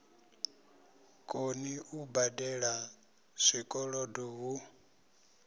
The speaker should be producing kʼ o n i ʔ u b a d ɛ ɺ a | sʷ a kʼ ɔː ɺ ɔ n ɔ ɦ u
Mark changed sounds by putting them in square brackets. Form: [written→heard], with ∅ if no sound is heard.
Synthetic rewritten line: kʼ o n i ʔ u b a d ɛ ɺ a | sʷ [a→i] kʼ [ɔː→ɔ] ɺ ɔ [n→d] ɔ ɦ u